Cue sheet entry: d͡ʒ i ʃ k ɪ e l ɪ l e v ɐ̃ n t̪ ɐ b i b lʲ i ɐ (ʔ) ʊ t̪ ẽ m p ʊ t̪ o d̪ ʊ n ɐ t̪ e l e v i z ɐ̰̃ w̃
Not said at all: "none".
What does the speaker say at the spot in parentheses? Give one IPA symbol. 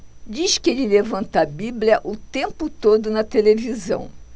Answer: ʔ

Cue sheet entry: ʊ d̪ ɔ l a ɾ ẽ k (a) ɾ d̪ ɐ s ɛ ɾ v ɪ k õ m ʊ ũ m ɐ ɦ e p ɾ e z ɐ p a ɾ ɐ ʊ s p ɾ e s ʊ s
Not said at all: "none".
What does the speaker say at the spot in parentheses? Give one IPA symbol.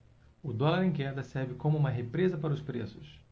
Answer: ɛ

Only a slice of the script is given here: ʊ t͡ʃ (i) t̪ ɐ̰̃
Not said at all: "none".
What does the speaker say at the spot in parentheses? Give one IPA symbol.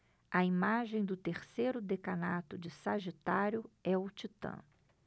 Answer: i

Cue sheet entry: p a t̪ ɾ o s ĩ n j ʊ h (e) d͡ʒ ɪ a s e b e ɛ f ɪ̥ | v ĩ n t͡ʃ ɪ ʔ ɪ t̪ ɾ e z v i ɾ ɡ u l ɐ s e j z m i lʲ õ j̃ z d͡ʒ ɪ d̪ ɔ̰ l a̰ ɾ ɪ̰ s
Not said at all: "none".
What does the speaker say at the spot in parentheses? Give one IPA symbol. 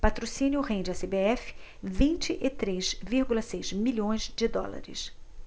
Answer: ẽ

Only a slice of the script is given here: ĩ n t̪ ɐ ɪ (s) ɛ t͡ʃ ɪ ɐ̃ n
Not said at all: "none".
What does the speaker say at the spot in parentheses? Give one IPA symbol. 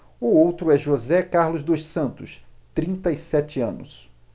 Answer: s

